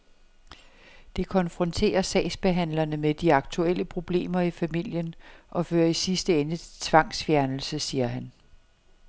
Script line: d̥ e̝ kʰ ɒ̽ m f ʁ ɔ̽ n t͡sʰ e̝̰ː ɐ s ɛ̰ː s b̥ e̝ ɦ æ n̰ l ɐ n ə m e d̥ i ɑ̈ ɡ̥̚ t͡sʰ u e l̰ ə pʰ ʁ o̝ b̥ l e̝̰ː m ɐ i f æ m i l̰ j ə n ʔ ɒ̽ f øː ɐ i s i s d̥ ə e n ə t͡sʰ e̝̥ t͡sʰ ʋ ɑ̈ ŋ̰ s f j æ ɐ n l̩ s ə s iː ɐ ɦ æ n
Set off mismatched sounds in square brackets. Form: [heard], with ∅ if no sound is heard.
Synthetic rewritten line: d̥ e̝ kʰ ɒ̽ [n] f ʁ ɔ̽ n t͡sʰ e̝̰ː ɐ s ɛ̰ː s b̥ e̝ ɦ æ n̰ l ɐ n ə m e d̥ i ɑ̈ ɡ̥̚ t͡sʰ u e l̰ ə pʰ ʁ o̝ b̥ l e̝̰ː m ɐ i f æ m i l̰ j ə n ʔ ɒ̽ f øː ɐ i s i s d̥ ə e n ə t͡sʰ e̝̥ t͡sʰ ʋ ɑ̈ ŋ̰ s f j æ ɐ n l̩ s ə s iː ɐ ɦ æ n